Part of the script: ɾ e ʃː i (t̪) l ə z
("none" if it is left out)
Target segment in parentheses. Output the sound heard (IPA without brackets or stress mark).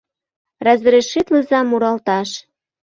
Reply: t̪